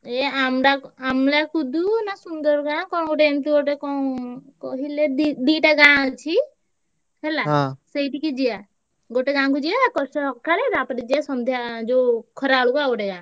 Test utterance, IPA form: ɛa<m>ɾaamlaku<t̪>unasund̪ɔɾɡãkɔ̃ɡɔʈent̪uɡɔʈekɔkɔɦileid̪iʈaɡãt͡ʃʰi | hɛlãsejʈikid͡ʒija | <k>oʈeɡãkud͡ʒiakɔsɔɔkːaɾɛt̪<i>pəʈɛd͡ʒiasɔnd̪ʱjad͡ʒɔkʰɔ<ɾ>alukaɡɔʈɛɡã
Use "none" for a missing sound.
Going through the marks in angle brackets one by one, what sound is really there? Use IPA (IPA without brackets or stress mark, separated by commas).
m, d̪, ɡ, a, ɾ